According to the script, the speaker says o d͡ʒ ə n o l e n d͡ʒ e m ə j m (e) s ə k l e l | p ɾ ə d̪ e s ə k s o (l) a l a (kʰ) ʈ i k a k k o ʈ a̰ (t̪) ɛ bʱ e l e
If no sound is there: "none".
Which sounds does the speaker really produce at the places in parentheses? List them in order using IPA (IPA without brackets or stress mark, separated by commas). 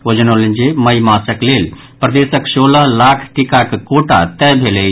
a, l, kʰ, t̪